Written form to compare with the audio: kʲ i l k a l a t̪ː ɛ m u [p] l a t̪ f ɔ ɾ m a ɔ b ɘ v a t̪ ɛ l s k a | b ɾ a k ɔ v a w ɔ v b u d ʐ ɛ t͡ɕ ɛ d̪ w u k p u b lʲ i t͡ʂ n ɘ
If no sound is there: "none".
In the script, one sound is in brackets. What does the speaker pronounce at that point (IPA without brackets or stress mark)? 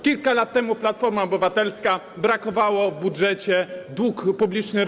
p